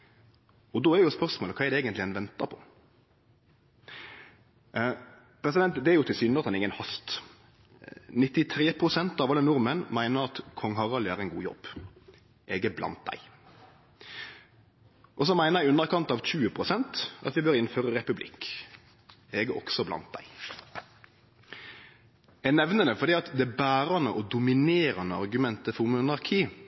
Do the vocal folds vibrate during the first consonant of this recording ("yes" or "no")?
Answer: yes